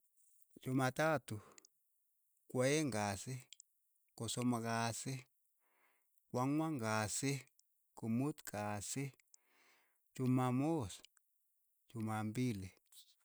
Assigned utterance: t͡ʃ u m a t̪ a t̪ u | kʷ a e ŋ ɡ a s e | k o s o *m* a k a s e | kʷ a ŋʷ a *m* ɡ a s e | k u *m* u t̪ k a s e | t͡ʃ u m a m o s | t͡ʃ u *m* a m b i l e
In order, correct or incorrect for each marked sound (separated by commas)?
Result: correct, incorrect, correct, correct